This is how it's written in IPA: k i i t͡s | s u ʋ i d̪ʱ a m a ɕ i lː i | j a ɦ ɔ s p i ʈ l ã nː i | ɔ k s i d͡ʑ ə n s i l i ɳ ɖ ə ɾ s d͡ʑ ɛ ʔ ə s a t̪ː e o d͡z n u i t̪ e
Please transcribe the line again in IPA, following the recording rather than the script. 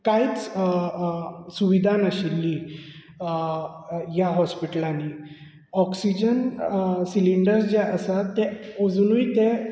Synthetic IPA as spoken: k a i t͡s | s u ʋ i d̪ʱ a n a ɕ i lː i | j a ɦ ɔ s p i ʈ l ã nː i | ɔ k s i d͡ʑ ə n s i l i ɳ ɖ ə ɾ s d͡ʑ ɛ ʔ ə s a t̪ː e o d͡z n u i t̪ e